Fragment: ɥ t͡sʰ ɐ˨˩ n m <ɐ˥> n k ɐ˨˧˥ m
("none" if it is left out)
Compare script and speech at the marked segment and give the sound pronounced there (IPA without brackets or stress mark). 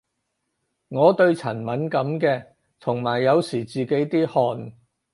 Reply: ɐ˨˥